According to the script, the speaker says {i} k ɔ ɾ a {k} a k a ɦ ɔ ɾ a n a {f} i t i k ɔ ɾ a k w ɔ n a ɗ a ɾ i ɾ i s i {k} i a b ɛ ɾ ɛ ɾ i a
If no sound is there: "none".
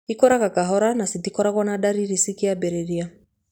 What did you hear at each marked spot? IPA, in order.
i, k, s, k

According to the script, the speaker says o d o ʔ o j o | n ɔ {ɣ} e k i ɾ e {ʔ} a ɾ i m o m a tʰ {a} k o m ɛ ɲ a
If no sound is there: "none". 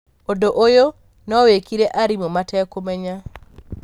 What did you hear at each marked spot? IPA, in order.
w, ʔ, ɛ

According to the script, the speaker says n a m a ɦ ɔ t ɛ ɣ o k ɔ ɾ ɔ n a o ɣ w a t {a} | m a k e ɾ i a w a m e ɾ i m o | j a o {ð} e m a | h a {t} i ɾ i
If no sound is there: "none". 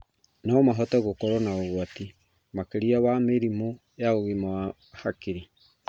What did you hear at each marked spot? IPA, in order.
i, ɣ, k

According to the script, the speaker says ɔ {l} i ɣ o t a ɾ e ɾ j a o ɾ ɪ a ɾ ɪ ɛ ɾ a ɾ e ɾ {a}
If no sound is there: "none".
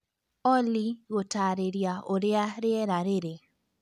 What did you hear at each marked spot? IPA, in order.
l, e

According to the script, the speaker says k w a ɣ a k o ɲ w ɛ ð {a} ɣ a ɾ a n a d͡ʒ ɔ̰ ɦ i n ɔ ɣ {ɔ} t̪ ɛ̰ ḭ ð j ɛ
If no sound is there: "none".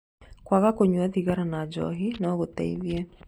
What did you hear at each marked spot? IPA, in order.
i, o

